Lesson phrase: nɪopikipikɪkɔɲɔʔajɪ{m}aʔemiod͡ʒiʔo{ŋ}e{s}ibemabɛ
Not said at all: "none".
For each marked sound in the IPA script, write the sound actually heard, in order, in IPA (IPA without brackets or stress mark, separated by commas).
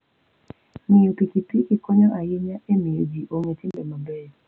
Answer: ɲ, ŋ, t